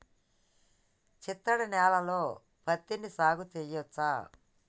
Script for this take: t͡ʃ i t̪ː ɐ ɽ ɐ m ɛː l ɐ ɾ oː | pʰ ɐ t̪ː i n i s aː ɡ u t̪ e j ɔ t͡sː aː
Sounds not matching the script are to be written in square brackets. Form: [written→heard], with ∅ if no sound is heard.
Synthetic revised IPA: t͡ʃ i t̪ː ɐ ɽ ɐ [m→n] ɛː l ɐ [ɾ→l] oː | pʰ ɐ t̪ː i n i s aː ɡ u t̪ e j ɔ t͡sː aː